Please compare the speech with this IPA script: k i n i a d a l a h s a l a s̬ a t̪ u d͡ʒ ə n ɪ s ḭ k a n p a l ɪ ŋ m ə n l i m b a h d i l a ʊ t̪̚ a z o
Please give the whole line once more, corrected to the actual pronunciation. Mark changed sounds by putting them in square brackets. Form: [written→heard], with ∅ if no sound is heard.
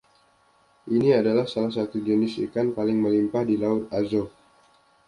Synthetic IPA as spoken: [k→ʔ] i n i a d a l a h s a l a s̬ a t̪ u d͡ʒ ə n ɪ s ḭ k a n p a l ɪ ŋ m ə [n→∅] l i m [b→p] a h d i l a ʊ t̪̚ a z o